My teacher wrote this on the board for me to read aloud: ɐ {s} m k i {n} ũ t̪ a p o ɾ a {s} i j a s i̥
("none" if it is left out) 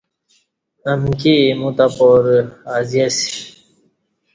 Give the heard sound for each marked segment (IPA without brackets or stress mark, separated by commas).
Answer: none, m, z